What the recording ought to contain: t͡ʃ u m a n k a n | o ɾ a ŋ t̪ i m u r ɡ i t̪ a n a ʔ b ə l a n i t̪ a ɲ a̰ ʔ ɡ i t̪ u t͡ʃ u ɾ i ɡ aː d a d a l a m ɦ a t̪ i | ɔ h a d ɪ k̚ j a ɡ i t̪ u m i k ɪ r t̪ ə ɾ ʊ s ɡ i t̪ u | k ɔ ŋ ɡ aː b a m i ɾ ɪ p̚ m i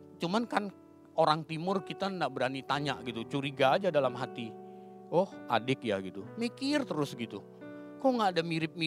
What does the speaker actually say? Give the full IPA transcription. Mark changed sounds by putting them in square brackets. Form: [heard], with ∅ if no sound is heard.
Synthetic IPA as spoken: t͡ʃ u m a n k a n | o ɾ a ŋ t̪ i m [ʊ] r [k] i t̪ a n a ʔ b ə [ɾ] a n i t̪ a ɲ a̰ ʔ ɡ i t̪ u t͡ʃ u ɾ i ɡ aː [d͡ʒ] a d a l a m ɦ a t̪ i | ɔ h a d ɪ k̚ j a ɡ i t̪ u m i k ɪ r t̪ ə ɾ ʊ s ɡ i t̪ u | k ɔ ŋ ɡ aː [d] a m i ɾ ɪ p̚ m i